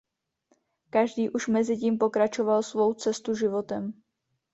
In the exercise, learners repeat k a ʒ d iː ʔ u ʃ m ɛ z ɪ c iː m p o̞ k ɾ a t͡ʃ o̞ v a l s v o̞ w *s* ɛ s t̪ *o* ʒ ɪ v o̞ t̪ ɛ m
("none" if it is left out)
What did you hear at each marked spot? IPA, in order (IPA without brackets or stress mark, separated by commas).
t͡s, u